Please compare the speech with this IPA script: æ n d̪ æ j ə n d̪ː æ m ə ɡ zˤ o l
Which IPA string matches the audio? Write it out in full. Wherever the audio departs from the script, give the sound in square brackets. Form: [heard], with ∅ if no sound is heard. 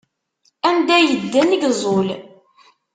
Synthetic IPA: æ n d̪ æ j ə [∅] d̪ː æ [n] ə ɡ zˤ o l